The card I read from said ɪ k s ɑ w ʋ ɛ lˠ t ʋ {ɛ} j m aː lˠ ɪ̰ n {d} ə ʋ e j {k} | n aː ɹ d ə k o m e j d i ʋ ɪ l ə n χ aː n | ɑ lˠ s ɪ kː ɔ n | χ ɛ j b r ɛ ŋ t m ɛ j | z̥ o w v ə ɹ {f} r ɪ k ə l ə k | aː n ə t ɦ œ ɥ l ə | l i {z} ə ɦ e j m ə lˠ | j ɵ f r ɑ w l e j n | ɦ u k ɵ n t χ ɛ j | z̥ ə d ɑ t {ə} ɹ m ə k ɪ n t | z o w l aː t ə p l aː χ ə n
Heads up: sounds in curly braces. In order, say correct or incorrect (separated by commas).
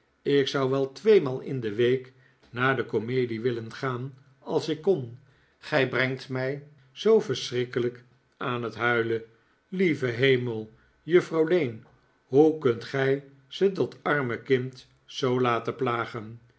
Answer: incorrect, correct, correct, incorrect, incorrect, incorrect